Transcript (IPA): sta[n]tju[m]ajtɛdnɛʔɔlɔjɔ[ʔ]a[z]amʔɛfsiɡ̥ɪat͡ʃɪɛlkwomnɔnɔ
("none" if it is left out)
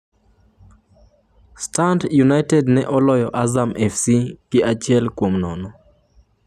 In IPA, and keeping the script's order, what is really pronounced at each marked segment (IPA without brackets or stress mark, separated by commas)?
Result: n, n, ʔ, z